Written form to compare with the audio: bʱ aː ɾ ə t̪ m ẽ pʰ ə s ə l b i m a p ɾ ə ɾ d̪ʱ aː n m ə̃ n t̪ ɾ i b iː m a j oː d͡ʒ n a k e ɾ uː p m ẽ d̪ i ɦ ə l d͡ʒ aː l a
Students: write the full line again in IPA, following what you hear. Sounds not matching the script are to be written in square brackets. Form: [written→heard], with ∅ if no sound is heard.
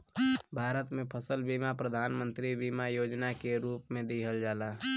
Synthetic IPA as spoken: bʱ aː ɾ ə t̪ m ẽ pʰ ə s ə l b i m a p ɾ ə [ɾ→∅] d̪ʱ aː n m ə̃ n t̪ ɾ i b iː m a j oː d͡ʒ n a k e ɾ uː p m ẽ d̪ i ɦ ə l d͡ʒ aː l a